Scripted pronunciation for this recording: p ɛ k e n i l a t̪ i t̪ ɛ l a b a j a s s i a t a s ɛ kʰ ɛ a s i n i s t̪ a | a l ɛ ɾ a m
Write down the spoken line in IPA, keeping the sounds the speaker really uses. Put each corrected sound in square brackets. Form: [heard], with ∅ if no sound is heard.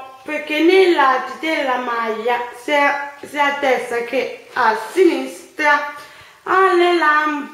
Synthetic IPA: p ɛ k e n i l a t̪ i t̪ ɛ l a [m] a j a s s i a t [ɛ] s [a] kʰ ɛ a s i n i s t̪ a | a l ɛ [l] a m